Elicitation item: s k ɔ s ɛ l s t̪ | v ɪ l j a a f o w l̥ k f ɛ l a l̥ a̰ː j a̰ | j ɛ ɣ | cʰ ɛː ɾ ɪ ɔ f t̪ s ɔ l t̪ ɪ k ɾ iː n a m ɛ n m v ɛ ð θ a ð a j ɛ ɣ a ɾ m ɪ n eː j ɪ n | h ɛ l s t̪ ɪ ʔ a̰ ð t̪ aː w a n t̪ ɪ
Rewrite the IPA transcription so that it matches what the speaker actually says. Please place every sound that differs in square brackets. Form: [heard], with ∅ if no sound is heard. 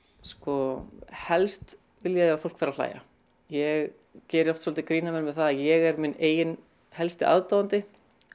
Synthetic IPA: s k ɔ [h] ɛ l s t̪ | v ɪ l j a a f o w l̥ k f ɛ [ɾ] a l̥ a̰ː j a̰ | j ɛ ɣ | [c] ɛː ɾ ɪ ɔ f t̪ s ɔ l t̪ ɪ k ɾ iː n a m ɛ n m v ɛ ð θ a ð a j ɛ ɣ [ɛ] ɾ m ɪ n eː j ɪ n | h ɛ l s t̪ ɪ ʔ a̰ ð t̪ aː w a n t̪ ɪ